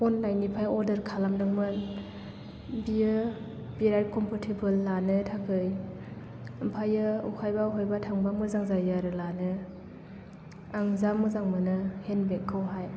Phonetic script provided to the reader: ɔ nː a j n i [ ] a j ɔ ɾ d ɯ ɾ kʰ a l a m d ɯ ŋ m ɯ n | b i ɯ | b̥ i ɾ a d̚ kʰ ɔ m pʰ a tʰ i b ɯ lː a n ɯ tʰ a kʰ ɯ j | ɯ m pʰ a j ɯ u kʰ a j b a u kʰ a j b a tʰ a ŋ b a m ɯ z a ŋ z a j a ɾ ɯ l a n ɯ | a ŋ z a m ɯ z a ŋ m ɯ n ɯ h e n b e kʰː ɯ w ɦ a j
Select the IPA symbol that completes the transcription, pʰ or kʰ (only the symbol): pʰ